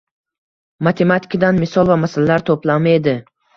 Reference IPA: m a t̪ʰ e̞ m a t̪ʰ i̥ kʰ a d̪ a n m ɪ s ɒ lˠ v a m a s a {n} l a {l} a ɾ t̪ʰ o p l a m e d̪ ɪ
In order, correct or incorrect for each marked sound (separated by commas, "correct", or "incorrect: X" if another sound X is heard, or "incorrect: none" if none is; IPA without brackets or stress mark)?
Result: incorrect: none, correct